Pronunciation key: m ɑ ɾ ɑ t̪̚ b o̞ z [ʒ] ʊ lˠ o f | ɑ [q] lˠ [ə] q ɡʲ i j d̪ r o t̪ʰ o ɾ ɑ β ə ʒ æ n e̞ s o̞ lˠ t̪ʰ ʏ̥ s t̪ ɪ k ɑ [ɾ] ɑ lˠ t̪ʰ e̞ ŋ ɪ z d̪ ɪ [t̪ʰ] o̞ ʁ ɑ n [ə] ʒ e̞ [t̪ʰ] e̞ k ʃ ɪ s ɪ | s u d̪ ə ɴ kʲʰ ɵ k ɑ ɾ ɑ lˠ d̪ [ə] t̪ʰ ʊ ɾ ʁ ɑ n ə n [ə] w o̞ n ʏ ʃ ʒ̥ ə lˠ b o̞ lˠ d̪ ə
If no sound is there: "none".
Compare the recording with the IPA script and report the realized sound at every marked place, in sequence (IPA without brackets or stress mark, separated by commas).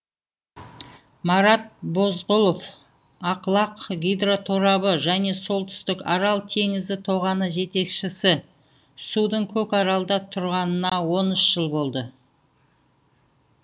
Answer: ʁ, q, ɑ, ɾ, t̪ʰ, ə, t̪, ɑ, ɑ